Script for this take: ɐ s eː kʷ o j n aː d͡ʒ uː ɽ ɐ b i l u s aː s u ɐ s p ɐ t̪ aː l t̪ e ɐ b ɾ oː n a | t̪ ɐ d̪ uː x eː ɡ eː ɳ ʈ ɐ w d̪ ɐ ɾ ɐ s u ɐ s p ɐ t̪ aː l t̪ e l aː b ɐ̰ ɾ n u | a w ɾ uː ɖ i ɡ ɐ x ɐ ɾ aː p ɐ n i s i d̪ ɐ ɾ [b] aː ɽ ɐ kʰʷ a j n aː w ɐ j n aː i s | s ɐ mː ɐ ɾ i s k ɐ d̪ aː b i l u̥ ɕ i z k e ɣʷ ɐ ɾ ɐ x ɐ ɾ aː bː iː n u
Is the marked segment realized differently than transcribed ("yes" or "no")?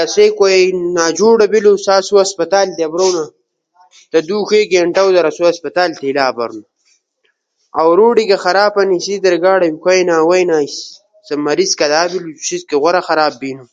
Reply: yes